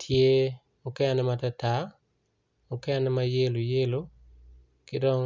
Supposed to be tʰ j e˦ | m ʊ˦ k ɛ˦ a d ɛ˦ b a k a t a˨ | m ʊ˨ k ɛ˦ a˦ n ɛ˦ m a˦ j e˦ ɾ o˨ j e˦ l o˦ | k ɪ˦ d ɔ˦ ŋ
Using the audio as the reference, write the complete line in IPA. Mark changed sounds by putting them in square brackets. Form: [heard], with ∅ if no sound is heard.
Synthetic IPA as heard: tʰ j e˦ | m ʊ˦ k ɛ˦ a [n] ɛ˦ [m] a [t] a t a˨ | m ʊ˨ k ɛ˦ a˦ n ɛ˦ m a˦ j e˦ [l] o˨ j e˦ l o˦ | k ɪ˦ d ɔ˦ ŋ